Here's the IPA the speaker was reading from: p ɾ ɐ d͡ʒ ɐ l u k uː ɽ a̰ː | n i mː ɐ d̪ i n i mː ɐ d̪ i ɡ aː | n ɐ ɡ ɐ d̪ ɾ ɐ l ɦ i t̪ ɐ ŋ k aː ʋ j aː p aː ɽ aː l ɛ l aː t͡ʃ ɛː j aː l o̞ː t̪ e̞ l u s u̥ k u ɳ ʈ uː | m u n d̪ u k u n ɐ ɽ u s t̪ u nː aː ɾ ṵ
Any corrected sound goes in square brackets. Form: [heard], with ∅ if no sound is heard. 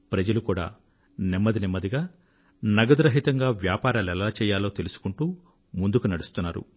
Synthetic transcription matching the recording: p ɾ ɐ d͡ʒ ɐ l u k uː ɽ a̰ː | n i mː ɐ d̪ i n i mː ɐ d̪ i ɡ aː | n ɐ ɡ ɐ d̪ ɾ ɐ [∅] ɦ i t̪ ɐ ŋ [ɡ] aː ʋ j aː p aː [ɾ] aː l ɛ l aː t͡ʃ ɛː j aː l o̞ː t̪ e̞ l u s u̥ k u ɳ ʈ uː | m u n d̪ u k u n ɐ ɽ u s t̪ u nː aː ɾ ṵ